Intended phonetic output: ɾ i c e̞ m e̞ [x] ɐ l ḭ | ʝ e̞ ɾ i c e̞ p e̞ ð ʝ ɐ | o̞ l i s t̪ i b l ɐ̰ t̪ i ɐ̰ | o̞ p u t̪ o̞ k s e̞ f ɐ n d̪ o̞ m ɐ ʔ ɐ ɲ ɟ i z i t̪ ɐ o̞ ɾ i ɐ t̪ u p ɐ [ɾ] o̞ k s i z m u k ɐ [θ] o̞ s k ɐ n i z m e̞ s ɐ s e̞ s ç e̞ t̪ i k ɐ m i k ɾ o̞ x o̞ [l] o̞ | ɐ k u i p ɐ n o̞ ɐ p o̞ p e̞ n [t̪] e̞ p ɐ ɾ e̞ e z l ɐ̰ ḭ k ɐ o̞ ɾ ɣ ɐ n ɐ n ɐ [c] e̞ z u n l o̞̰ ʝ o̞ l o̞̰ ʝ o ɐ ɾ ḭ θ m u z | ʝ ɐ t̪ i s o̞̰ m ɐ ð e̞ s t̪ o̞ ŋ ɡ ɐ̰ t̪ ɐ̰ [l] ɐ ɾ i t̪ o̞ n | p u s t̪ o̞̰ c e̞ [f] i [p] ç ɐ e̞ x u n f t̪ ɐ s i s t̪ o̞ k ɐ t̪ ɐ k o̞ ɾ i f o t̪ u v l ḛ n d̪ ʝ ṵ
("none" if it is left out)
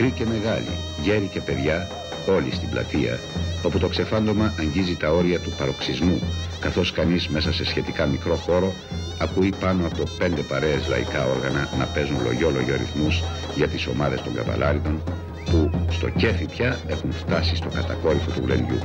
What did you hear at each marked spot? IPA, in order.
ɣ, ɾ, θ, ɾ, d̪, p, l, f, p

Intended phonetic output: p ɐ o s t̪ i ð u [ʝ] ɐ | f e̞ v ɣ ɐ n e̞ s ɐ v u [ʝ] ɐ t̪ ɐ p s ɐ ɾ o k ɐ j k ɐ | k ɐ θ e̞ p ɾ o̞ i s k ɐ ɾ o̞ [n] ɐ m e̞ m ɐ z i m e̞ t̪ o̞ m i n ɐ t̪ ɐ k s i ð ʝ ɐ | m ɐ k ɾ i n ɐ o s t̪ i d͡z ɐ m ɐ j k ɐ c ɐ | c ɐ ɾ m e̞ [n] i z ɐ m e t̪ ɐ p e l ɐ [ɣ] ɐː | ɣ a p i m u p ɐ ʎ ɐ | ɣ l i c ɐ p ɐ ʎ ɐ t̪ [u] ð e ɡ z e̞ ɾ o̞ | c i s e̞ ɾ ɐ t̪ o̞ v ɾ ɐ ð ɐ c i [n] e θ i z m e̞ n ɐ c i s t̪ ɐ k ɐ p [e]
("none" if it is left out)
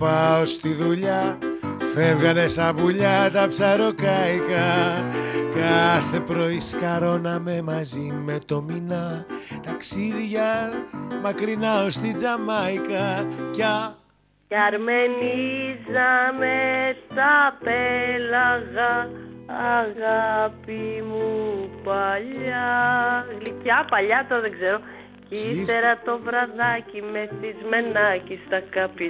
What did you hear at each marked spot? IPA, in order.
ʎ, ʎ, n, n, ɣ, o, m, i

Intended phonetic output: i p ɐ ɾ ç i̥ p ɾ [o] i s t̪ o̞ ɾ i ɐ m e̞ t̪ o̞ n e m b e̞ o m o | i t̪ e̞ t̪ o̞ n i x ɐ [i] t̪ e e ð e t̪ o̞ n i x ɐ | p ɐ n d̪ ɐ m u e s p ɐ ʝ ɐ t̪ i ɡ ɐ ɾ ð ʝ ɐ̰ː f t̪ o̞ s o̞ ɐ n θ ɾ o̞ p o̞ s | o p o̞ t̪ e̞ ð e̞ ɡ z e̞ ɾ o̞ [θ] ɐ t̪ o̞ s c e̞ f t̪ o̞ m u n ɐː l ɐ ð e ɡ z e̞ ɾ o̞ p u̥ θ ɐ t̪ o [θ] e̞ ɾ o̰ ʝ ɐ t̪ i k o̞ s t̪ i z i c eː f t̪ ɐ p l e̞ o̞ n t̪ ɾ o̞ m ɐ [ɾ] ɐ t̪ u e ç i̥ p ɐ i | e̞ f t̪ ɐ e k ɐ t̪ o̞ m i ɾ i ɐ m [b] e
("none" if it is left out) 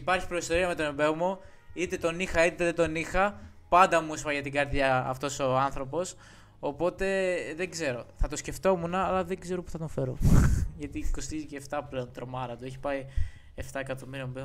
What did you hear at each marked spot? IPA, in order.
o, i, θ, f, ɾ, b

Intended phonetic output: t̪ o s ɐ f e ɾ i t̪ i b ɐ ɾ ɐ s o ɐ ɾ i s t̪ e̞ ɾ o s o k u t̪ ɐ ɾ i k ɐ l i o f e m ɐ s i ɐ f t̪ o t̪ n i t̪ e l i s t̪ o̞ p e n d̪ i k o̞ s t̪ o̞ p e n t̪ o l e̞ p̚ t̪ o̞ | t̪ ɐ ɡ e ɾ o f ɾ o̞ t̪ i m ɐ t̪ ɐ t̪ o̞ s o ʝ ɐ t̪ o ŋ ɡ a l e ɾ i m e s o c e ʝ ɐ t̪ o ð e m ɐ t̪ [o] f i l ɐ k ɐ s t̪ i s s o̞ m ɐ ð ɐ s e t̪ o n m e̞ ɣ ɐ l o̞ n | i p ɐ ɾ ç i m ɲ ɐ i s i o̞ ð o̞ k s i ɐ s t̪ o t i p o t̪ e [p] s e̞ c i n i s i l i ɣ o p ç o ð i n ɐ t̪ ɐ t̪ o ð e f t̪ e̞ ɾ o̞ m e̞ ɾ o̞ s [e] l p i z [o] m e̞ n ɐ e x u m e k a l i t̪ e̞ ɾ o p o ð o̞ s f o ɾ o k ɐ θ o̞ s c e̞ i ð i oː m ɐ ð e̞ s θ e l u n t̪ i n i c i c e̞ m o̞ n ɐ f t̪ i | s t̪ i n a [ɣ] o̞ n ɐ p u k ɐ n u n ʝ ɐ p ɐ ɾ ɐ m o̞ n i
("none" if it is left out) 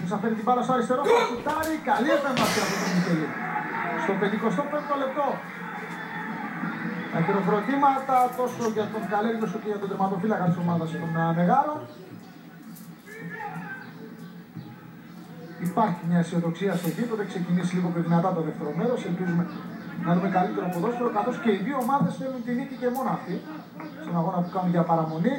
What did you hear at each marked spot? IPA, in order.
o, k, e, u, ɣ

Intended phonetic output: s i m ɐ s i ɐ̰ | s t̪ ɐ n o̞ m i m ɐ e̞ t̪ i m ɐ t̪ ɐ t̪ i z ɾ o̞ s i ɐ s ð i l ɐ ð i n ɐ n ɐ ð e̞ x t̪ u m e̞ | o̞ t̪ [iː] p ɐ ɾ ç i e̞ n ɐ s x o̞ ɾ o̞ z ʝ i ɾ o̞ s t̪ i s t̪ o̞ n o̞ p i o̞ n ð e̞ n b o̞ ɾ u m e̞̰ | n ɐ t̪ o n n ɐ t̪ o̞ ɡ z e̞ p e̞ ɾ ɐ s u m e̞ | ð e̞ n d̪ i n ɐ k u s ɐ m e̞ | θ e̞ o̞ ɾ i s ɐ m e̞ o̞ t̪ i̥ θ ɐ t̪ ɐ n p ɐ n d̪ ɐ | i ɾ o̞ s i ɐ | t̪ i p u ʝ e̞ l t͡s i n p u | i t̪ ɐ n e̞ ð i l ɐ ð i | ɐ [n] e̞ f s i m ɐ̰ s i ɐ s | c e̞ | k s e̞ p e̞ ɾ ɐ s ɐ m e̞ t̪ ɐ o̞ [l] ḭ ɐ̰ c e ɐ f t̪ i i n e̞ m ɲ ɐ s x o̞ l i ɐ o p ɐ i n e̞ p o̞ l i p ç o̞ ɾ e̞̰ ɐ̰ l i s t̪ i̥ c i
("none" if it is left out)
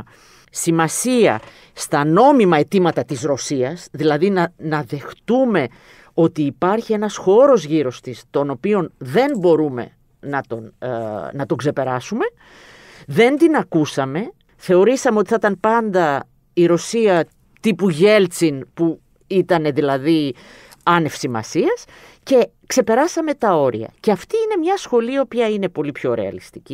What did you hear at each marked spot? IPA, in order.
iː, n, ɾ

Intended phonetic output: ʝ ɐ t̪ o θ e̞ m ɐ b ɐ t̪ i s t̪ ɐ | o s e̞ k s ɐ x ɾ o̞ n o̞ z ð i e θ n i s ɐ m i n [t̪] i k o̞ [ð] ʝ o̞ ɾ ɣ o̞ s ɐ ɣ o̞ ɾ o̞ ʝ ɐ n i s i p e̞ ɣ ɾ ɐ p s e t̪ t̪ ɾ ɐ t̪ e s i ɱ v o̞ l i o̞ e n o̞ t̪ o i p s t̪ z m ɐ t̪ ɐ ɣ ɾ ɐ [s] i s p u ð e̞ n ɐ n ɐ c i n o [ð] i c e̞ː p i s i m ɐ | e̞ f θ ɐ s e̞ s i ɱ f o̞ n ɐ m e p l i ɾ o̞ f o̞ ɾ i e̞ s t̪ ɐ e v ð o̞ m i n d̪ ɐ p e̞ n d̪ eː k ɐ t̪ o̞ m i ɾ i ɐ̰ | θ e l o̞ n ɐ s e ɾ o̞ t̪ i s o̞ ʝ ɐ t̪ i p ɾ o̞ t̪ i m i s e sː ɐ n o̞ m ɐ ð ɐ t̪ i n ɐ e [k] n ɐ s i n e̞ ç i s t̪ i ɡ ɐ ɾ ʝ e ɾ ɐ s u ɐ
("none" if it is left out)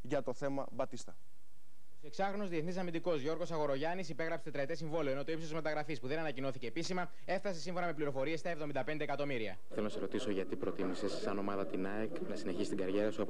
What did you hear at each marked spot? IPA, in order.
d̪, z, f, θ, k

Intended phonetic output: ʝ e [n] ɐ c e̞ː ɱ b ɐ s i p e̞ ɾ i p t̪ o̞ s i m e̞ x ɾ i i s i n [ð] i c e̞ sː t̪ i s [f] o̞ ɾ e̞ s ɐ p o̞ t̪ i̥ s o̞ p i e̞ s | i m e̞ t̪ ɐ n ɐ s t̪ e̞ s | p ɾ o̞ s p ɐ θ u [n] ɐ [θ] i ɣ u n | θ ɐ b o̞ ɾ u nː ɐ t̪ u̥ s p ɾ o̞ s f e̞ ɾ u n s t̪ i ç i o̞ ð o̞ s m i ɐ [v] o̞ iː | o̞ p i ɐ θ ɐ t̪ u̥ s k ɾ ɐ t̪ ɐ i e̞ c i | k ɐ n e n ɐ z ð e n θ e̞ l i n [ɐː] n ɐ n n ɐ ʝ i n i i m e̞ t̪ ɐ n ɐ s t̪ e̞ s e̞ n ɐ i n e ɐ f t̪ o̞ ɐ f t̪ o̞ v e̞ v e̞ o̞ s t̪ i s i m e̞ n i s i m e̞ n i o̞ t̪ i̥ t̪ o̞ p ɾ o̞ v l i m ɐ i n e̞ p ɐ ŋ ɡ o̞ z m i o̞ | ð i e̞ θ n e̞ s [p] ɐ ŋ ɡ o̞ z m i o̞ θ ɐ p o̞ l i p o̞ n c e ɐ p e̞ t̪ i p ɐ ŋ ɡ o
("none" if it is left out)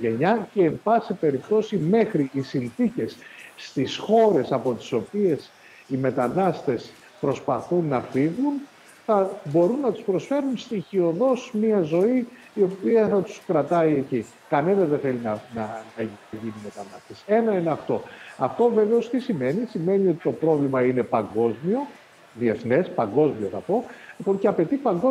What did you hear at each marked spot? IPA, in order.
ɲ, θ, x, nː, f, z, ɐ, p

